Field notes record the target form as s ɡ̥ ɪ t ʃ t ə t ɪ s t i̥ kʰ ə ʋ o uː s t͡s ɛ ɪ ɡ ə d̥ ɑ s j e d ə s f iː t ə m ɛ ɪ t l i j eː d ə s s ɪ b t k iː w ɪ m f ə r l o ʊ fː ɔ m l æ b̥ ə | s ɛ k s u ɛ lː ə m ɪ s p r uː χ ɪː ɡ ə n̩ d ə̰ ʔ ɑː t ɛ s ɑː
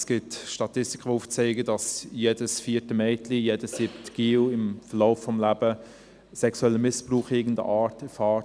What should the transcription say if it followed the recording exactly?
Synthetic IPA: s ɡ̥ ɪ t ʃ t ɑ t ɪ s t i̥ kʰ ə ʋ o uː f t͡s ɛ ɪ ɡ ə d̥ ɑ s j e d ə s f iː t ə m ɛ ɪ t l i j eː d ə s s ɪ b t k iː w ɪ m f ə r l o ʊ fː ɔ m l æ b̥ ə | s ɛ k s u ɛ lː ə m ɪ s p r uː χ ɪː ɡ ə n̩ d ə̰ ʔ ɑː t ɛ f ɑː